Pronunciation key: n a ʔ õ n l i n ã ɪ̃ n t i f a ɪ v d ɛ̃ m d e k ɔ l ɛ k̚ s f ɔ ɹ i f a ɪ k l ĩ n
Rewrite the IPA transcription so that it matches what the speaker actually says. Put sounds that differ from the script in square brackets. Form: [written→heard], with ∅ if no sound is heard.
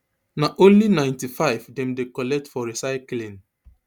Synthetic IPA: n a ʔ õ n l i n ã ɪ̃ n t i f a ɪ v d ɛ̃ m d e k ɔ l ɛ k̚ [s→t] f ɔ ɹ i [f→s] a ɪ k l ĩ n